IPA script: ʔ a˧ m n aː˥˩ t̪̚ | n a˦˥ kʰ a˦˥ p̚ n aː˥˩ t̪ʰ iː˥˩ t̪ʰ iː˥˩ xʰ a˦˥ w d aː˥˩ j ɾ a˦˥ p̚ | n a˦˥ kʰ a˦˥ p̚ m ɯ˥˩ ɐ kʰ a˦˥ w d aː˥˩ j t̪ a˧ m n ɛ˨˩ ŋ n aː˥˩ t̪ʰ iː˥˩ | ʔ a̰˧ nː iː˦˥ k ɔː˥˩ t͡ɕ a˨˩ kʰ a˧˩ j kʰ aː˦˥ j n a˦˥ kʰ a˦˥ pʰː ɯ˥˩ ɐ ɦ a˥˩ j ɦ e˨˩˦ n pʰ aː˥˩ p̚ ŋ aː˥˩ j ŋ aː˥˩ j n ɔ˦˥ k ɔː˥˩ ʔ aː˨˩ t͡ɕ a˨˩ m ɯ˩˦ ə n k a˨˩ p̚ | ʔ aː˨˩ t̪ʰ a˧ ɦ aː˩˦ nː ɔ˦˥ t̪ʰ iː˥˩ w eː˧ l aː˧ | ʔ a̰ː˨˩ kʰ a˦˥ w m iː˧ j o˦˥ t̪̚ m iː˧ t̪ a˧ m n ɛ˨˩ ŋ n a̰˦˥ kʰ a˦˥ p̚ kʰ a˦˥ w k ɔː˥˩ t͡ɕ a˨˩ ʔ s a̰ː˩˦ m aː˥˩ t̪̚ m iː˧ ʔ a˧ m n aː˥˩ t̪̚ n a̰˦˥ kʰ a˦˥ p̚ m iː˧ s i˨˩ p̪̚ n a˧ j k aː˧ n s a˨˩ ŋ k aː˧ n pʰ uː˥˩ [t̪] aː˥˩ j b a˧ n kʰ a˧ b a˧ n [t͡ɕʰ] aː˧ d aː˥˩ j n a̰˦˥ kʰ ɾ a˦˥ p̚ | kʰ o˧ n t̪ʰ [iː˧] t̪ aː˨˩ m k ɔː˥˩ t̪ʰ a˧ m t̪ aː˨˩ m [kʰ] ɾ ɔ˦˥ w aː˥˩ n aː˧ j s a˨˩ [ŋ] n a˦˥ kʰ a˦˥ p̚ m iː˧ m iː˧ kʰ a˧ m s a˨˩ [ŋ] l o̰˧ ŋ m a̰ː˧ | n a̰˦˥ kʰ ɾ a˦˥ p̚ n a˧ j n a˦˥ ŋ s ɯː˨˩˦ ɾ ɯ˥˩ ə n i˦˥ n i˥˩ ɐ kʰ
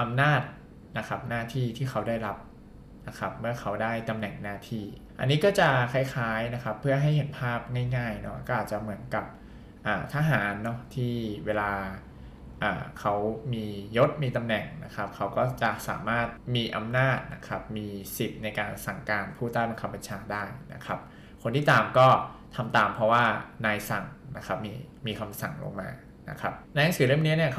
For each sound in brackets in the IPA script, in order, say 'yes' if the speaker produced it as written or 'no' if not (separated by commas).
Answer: yes, yes, no, no, yes, yes